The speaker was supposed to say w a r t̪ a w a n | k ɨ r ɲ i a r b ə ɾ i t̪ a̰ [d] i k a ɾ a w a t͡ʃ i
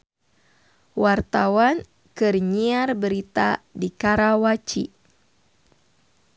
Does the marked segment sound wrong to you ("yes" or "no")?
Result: no